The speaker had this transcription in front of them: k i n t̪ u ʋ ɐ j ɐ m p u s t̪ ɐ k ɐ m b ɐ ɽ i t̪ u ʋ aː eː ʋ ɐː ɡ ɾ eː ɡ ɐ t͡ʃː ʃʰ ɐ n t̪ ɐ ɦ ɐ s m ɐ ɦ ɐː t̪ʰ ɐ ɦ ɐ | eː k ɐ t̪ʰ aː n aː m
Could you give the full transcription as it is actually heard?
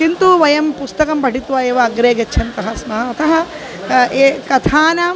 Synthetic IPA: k i n t̪ u ʋ ɐ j ɐ m p u s t̪ ɐ k ɐ m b ɐ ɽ i t̪ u ʋ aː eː ʋ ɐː ɡ ɾ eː ɡ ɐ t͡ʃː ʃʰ ɐ n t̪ ɐ ɦ ɐ s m ɐ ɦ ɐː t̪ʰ ɐ ɦ ɐ | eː k ɐ t̪ʰ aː n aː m